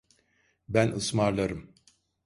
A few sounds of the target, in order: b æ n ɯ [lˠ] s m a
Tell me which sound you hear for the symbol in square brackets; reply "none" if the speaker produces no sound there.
none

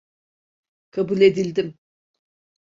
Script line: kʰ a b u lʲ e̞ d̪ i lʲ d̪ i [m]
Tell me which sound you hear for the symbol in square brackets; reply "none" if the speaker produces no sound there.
m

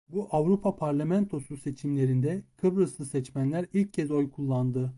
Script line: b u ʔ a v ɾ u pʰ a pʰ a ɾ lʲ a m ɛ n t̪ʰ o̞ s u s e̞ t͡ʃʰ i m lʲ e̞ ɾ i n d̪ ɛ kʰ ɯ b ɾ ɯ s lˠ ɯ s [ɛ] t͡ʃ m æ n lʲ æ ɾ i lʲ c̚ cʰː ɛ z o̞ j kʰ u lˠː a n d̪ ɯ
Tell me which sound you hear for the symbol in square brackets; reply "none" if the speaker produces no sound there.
ɛ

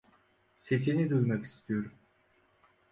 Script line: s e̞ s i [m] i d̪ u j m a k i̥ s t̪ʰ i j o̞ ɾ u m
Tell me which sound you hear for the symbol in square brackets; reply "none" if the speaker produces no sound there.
n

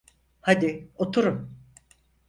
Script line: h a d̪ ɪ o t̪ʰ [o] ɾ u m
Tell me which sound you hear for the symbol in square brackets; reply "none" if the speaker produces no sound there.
u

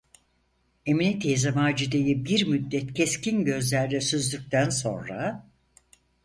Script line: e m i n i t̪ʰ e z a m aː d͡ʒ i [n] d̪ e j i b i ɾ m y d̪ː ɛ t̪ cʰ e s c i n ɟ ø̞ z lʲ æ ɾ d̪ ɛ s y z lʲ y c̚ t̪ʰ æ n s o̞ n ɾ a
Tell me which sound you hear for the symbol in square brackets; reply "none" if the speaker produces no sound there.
none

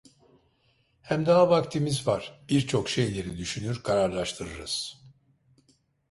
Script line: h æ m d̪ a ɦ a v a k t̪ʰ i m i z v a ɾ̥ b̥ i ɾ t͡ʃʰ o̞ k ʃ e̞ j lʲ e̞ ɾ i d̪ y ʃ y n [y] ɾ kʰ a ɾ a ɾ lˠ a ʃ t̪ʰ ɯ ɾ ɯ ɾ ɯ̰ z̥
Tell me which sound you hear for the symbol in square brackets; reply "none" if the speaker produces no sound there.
y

